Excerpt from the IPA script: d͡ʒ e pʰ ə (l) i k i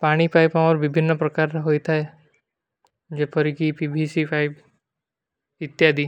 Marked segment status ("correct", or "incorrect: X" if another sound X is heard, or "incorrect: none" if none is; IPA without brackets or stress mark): incorrect: ɾ